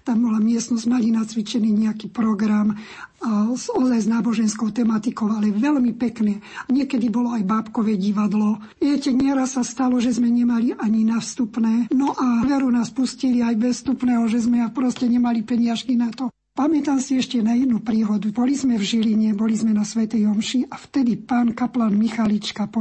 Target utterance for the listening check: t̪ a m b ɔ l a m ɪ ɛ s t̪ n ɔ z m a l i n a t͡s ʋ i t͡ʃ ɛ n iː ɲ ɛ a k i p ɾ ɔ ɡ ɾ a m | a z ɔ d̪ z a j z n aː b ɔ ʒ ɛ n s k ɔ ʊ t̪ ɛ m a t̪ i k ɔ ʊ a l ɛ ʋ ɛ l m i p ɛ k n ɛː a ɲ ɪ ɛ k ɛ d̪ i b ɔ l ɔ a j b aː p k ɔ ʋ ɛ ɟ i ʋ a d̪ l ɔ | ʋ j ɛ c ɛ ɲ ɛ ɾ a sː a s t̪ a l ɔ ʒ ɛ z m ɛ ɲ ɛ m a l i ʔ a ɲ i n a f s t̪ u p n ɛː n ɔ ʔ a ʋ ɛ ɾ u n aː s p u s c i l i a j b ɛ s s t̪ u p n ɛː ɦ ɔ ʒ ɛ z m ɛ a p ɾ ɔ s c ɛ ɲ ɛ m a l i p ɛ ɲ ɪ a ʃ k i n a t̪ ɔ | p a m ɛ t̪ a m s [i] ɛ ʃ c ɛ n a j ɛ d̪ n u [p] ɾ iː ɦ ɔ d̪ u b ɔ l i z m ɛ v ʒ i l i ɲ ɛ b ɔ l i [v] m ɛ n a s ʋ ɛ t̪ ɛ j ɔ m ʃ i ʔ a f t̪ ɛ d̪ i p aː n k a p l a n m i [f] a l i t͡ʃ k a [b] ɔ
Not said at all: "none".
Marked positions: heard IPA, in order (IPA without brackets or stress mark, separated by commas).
i, p, z, x, p